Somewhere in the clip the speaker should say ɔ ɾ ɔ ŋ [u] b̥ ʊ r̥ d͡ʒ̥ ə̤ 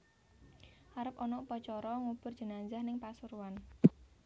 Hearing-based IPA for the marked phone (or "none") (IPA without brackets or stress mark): u